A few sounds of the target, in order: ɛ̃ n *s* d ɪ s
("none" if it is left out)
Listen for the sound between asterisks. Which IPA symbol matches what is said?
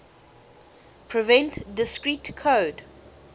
t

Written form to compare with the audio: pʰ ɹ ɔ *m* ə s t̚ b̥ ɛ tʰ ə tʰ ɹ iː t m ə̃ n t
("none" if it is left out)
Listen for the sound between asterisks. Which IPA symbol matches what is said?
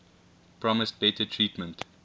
m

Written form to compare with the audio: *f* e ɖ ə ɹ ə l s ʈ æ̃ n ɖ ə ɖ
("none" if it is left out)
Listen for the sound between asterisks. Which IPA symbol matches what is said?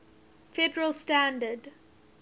f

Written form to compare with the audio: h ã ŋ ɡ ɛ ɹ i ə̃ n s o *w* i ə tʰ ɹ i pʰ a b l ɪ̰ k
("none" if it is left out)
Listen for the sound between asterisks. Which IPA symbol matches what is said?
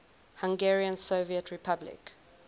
v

